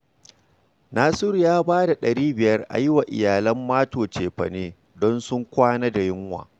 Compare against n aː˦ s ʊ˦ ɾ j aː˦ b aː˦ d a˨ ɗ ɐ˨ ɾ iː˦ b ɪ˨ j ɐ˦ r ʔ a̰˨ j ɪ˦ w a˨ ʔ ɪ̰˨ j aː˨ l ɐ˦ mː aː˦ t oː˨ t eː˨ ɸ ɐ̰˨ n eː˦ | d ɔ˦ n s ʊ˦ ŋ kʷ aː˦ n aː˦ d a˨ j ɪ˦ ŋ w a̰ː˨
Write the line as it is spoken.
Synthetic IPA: n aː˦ s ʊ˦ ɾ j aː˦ b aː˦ d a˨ ɗ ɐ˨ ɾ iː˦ b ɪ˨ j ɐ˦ r ʔ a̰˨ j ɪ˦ w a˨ ʔ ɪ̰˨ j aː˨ l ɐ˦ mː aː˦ t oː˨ t͡ʃ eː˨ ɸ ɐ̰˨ n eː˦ | d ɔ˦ n s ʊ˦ ŋ kʷ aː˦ n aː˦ d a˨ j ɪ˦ ŋ w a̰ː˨

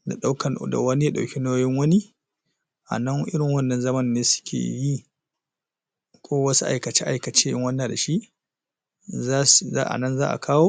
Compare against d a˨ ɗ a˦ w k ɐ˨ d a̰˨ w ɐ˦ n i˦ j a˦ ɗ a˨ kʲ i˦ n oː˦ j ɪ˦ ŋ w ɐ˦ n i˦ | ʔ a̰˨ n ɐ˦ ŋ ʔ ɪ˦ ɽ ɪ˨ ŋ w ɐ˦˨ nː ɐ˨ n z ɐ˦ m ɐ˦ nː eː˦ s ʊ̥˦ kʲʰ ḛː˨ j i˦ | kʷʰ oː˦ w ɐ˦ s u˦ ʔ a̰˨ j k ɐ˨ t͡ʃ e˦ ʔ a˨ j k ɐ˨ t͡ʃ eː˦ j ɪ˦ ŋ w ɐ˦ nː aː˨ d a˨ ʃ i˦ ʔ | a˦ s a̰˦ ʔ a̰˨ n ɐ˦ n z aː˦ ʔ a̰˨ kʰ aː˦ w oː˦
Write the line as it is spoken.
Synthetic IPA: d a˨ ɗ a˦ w k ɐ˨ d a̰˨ w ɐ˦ n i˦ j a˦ ɗ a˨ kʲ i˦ n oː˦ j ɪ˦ ŋ w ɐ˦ n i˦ | ʔ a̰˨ n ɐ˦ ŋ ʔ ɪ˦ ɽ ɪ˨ ŋ w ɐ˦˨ nː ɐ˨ n z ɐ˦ m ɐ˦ nː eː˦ s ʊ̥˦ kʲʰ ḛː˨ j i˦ | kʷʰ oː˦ w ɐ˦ s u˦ ʔ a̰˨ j k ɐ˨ t͡ʃ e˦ ʔ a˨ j k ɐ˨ t͡ʃ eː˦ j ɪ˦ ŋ w ɐ˦ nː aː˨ d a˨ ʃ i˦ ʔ | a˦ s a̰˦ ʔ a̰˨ n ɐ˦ n z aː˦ ʔ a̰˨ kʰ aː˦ w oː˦

